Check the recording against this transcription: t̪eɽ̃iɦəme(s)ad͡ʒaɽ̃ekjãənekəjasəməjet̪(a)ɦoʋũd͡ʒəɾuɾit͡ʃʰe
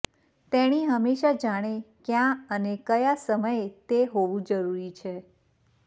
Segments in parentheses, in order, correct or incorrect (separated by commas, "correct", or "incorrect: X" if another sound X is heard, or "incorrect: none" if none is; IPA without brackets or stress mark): incorrect: ʃ, incorrect: e